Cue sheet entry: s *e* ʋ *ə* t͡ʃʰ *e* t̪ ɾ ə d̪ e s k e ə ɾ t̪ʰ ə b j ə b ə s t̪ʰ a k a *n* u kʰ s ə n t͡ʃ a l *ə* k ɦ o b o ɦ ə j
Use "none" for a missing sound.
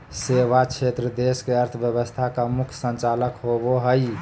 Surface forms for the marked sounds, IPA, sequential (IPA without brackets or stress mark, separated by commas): e, a, e, m, ə